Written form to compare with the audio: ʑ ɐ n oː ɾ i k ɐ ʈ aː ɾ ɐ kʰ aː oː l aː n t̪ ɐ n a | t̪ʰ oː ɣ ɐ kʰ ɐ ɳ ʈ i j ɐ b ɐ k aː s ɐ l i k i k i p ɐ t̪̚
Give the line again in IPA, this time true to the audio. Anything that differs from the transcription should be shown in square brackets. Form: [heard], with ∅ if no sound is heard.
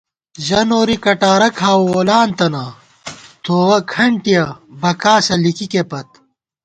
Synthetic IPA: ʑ ɐ n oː ɾ i k ɐ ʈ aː ɾ ɐ kʰ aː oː l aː n t̪ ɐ n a | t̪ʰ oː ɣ ɐ kʰ ɐ ɳ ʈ i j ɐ b ɐ k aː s ɐ l i k i k [e] p ɐ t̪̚

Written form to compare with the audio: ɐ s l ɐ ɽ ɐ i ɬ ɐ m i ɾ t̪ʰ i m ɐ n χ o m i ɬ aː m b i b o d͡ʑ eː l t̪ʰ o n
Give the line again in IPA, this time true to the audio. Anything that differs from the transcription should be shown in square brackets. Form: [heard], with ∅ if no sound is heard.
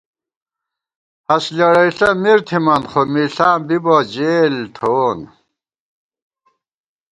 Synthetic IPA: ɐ s l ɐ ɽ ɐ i ɬ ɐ m i ɾ t̪ʰ i m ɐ n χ o m i ɬ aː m b i b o d͡ʑ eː l t̪ʰ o n

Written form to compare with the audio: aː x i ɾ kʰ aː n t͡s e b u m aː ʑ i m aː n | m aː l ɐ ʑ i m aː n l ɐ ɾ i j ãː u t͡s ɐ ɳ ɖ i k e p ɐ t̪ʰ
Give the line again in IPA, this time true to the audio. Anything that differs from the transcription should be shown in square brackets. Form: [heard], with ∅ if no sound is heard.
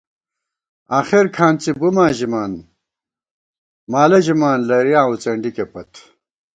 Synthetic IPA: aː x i ɾ kʰ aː n t͡s [i] b u m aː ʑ i m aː n | m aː l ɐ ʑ i m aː n l ɐ ɾ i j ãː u t͡s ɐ ɳ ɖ i k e p ɐ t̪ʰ

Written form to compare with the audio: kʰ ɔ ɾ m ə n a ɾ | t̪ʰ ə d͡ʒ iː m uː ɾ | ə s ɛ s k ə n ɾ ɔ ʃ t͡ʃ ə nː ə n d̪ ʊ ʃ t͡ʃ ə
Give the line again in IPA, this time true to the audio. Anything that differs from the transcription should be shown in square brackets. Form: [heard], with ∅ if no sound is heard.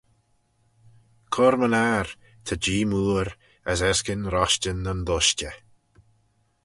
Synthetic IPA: kʰ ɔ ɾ m ə n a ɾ | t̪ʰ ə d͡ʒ iː m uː ɾ | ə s ɛ s k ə n ɾ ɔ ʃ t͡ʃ ə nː ə n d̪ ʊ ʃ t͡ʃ ə

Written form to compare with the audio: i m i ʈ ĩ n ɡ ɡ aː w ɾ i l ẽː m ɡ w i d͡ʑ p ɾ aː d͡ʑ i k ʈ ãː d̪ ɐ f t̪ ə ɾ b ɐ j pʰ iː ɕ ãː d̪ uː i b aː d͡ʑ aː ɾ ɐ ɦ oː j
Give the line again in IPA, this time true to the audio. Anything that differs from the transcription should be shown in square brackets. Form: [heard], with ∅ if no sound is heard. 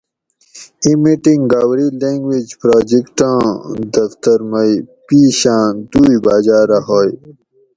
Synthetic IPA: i m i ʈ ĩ [ŋ] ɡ ɡ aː w ɾ i l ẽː [ŋ] ɡ w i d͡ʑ p ɾ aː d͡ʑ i k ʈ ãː d̪ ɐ f t̪ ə ɾ [m] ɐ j [p] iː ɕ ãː d̪ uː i b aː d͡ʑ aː ɾ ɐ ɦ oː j

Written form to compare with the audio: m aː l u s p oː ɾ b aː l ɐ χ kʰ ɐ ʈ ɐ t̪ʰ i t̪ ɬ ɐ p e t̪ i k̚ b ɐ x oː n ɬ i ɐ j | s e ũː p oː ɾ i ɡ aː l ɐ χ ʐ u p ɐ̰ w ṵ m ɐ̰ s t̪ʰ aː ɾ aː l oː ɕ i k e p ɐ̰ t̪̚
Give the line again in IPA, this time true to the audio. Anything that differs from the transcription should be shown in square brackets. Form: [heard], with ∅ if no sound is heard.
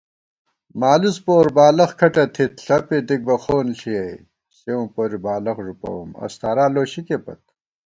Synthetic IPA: m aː l u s p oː ɾ b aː l ɐ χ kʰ ɐ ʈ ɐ t̪ʰ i t̪ ɬ ɐ p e [d̪] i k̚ b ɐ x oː n ɬ i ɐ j | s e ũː p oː ɾ i [b] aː l ɐ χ ʐ u p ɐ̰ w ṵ m ɐ̰ s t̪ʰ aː ɾ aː l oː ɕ i k e p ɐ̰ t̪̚

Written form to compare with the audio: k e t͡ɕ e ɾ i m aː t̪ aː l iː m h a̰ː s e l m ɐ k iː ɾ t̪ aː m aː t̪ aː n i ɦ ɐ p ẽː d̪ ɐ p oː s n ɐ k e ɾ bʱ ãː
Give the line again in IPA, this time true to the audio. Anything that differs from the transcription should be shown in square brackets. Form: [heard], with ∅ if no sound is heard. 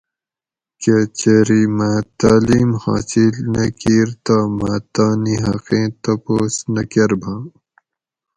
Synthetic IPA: k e t͡ɕ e ɾ i m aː t̪ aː l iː m h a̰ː s [i] l [n] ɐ k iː ɾ t̪ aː m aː t̪ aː n i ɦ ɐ [q] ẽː [t̪] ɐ p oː s n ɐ k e ɾ bʱ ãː

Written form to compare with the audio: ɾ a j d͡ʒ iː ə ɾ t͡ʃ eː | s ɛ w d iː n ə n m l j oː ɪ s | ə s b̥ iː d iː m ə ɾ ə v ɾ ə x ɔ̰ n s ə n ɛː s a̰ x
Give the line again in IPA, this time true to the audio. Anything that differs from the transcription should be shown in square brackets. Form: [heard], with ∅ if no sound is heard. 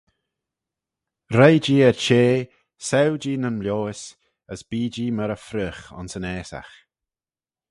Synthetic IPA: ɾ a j d͡ʒ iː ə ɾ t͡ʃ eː | s ɛ w [d͡ʒ] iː n ə n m l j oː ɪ s | ə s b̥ iː [d͡ʒ] iː m ə ɾ ə [f] ɾ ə x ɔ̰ n s ə n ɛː s a̰ x

